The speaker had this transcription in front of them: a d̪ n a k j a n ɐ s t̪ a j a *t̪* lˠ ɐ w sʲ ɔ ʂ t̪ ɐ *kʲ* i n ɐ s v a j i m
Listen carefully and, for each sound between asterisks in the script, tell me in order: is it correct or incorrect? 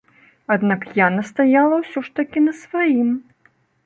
incorrect, correct

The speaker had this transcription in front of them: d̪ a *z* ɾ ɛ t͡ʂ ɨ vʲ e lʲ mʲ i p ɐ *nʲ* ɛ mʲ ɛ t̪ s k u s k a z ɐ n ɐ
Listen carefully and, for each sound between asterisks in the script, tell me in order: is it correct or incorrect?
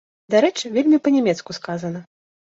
incorrect, correct

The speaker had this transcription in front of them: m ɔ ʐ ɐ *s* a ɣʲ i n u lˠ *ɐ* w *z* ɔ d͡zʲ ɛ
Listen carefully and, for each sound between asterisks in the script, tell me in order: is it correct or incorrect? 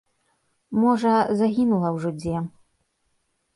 incorrect, correct, incorrect

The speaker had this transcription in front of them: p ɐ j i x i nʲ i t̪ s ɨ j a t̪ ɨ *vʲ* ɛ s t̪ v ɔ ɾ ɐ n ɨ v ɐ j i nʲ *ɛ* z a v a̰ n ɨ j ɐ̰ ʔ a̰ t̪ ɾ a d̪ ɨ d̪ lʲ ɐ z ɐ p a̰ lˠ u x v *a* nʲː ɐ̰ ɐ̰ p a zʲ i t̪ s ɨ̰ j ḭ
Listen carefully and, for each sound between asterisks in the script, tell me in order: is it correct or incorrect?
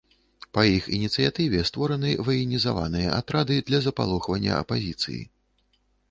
correct, incorrect, incorrect

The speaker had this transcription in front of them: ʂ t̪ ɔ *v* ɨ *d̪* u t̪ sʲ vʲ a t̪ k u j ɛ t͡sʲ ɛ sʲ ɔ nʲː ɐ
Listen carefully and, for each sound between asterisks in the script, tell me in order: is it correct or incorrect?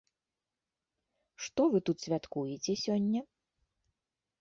correct, incorrect

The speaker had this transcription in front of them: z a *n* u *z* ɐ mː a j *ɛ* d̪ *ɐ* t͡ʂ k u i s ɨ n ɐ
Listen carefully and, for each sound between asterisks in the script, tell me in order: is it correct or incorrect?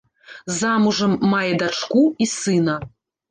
incorrect, incorrect, correct, incorrect

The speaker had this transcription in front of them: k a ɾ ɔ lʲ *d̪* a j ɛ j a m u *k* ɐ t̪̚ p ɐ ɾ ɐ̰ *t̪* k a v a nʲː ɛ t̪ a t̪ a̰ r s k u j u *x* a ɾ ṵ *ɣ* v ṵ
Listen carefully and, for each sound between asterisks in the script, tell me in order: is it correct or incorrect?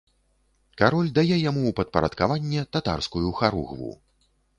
correct, incorrect, correct, correct, correct

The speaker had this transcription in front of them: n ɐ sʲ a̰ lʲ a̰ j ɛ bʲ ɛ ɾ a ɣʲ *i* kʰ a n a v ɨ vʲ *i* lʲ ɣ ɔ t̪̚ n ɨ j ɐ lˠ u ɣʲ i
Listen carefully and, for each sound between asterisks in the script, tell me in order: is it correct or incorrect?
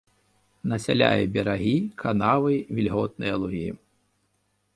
correct, correct

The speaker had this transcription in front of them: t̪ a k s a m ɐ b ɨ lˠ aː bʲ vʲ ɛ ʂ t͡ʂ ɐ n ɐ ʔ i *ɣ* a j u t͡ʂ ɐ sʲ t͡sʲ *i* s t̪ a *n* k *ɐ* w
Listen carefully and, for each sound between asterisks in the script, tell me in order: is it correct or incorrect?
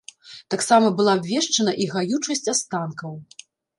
correct, incorrect, correct, correct

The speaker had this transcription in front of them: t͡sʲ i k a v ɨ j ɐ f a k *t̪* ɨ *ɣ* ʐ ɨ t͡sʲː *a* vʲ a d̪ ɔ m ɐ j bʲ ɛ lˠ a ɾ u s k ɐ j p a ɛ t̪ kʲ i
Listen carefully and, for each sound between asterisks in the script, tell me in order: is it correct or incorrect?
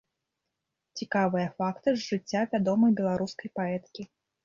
correct, incorrect, correct

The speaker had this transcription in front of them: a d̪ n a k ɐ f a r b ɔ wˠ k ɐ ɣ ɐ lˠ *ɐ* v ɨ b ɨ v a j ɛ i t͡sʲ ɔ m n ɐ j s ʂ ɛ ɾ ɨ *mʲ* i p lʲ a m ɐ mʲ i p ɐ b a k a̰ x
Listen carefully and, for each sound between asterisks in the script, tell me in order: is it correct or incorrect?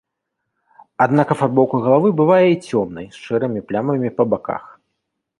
incorrect, correct

